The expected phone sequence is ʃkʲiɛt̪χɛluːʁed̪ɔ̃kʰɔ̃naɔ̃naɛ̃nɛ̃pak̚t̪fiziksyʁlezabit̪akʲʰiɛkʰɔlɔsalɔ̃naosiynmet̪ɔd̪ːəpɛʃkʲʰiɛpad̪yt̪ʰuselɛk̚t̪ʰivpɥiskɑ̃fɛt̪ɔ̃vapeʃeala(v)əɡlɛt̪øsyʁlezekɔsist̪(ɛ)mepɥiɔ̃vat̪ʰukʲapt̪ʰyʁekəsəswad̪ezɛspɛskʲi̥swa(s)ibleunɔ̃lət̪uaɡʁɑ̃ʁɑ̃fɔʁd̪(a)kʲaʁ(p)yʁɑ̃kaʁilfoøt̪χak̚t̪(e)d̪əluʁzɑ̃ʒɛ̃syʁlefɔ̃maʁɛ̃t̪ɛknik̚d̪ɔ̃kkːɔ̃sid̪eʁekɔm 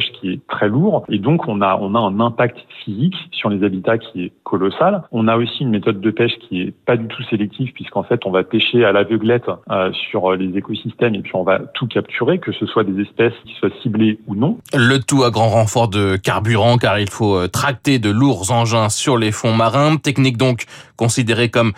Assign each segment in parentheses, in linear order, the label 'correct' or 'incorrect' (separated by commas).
correct, correct, correct, incorrect, incorrect, correct